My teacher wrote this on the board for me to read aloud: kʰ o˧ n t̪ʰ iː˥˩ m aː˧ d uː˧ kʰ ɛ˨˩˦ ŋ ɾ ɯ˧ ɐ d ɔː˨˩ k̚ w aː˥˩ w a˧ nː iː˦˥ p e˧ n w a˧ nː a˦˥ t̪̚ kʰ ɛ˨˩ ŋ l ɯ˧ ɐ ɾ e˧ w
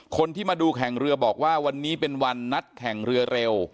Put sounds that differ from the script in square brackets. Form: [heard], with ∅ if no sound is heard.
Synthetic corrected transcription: kʰ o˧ n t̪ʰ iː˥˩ m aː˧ d uː˧ kʰ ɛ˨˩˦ ŋ ɾ ɯ˧ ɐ [b] ɔː˨˩ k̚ w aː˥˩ w a˧ nː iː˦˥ p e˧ n w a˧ nː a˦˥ t̪̚ kʰ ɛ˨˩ ŋ [ɾ] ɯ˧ ɐ ɾ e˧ w